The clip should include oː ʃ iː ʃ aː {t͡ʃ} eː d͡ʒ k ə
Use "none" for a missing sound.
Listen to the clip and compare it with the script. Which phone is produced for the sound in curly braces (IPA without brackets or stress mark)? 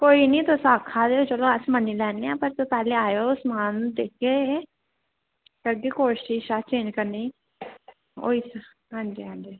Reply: t͡ʃ